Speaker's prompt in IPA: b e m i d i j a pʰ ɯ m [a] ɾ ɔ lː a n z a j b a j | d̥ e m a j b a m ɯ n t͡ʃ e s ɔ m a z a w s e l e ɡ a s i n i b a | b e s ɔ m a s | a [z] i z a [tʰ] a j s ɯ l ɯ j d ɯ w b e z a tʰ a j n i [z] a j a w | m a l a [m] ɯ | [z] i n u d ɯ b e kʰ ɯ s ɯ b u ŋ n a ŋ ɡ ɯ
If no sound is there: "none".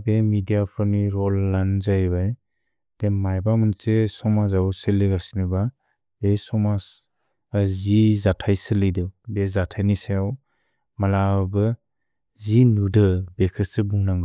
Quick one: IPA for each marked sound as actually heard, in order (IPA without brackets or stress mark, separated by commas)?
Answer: i, z, tʰ, s, b, z